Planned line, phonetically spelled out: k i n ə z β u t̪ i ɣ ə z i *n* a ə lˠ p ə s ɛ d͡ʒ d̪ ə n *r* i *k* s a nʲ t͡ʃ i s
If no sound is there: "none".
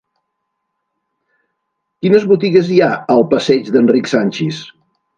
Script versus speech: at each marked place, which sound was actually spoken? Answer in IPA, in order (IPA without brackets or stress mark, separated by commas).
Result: none, r, k